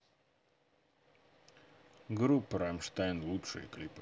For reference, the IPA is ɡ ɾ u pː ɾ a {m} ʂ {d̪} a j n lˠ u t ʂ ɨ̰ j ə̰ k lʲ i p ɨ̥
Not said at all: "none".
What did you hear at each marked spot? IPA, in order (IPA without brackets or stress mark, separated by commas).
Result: m, t̪